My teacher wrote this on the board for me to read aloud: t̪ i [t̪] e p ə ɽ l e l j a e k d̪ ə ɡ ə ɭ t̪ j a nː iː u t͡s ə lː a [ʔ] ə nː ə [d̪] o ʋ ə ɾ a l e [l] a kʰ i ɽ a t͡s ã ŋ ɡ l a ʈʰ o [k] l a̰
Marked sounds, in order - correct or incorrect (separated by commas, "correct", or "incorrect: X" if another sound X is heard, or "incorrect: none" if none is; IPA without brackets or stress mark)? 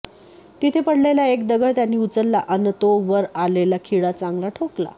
incorrect: t̪ʰ, correct, incorrect: t̪, correct, correct